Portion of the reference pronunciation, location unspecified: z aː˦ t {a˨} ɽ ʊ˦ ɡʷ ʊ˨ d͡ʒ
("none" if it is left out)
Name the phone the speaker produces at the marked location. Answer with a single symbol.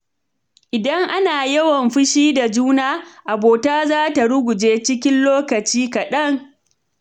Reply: a˨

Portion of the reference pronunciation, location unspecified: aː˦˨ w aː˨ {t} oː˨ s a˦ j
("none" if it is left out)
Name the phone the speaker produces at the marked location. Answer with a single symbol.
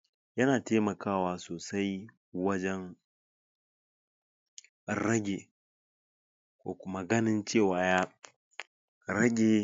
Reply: s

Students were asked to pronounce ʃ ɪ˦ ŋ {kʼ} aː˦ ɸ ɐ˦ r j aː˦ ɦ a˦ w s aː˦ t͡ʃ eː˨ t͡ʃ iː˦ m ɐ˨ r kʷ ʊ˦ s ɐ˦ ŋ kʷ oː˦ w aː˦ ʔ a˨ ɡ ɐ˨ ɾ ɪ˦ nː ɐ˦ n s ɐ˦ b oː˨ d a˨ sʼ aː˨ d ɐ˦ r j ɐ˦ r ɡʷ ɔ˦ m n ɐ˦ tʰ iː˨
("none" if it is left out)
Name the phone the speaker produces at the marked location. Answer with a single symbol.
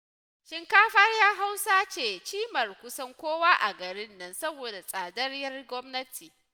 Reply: k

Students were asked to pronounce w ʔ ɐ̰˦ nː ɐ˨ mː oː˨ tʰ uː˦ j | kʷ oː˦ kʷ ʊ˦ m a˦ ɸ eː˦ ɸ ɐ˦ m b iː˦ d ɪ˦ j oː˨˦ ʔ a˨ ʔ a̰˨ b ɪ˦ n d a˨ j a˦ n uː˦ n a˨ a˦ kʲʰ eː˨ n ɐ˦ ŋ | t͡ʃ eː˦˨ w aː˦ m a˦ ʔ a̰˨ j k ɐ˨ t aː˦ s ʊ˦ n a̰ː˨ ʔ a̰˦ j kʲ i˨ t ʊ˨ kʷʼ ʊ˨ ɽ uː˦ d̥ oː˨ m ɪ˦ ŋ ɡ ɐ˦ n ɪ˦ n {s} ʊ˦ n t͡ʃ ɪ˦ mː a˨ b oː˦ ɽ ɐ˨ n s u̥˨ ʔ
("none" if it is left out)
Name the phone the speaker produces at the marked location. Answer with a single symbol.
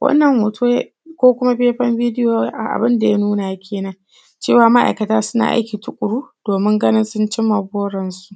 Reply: s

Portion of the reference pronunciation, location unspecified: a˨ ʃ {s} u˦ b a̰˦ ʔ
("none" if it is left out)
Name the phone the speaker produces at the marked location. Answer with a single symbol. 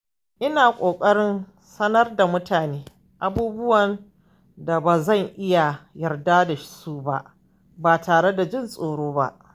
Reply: s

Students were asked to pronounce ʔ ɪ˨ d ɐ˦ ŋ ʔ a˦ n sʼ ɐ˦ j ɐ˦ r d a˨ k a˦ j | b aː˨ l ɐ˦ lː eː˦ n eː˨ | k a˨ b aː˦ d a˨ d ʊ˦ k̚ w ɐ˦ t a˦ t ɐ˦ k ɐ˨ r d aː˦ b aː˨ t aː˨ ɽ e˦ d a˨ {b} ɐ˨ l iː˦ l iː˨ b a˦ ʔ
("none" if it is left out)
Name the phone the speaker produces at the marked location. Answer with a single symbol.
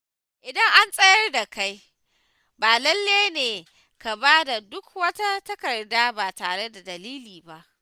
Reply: d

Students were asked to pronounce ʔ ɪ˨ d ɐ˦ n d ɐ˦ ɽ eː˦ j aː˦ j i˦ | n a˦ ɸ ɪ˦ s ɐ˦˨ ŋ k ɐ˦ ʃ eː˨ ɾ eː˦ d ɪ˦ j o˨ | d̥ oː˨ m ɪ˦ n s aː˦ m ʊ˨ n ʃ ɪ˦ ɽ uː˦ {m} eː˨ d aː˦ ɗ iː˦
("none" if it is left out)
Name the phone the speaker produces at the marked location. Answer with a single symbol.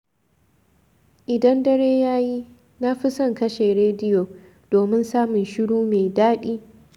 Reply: m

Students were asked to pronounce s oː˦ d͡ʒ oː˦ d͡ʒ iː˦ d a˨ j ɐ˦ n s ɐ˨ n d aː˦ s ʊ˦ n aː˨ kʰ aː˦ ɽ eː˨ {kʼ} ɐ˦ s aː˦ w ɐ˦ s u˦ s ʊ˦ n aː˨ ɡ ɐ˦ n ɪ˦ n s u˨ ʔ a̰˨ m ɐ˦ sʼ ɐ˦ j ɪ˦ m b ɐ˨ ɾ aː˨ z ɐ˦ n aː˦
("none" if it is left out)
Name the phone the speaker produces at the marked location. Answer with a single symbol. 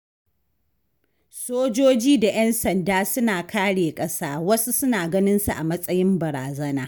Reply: kʼ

